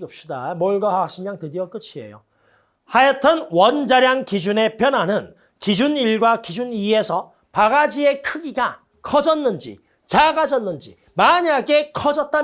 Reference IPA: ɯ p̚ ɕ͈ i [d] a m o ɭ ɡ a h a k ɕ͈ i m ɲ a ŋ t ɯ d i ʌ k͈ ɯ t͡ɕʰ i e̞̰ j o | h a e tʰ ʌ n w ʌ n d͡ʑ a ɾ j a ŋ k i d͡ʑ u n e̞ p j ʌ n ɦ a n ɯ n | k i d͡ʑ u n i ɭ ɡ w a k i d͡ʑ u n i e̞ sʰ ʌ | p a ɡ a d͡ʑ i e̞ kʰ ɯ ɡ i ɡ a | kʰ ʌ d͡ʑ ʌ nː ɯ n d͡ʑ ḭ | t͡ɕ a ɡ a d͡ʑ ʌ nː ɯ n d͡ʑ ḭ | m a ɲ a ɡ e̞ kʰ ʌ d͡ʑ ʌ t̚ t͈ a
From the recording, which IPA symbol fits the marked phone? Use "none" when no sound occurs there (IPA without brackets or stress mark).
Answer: d